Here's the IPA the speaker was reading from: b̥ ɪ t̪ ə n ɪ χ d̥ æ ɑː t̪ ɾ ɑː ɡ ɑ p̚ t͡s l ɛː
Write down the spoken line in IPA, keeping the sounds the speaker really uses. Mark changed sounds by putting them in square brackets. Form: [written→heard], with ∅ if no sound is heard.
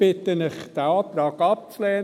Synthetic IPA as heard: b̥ ɪ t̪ ə n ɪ χ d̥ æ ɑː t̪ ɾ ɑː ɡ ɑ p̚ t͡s l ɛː